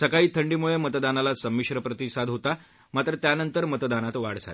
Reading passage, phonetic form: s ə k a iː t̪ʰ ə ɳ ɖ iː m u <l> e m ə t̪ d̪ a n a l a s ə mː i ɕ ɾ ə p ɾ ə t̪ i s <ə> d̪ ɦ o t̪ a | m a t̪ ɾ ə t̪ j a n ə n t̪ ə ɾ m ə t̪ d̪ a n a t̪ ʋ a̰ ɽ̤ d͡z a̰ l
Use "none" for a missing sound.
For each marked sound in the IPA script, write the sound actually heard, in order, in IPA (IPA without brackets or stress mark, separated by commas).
ɭ, a